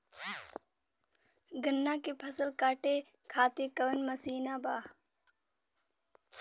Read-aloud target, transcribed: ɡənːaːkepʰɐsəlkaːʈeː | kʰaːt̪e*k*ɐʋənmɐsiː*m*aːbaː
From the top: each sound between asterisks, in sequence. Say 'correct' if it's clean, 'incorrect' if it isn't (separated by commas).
correct, incorrect